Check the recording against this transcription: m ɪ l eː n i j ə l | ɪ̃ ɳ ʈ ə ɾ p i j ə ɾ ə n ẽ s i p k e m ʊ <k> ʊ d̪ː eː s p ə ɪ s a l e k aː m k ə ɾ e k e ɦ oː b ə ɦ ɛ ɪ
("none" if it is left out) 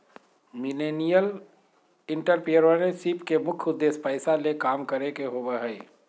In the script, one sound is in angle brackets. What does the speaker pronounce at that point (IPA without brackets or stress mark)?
kʰ